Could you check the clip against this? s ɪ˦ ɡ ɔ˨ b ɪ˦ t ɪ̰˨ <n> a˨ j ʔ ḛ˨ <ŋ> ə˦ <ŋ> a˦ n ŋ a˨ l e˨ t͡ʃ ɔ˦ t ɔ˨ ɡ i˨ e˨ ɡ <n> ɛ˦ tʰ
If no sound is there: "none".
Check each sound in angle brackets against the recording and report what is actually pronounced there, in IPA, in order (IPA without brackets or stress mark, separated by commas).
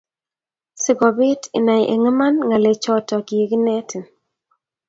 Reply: n, ŋ, m, n